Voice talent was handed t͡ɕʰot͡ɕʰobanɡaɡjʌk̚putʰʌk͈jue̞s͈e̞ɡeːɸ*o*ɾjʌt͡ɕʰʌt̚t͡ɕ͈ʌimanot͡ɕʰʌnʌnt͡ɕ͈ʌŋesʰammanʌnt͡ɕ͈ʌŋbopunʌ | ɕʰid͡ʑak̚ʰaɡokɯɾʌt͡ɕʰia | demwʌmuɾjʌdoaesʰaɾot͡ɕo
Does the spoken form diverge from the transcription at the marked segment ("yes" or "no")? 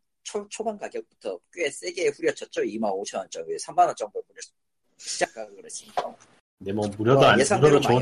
yes